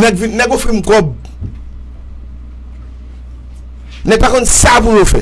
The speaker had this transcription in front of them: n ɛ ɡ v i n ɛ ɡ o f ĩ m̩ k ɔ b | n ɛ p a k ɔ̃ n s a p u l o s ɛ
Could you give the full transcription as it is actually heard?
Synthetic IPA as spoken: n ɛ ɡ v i n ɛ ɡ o f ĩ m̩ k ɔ b | n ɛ p a k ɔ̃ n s a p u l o f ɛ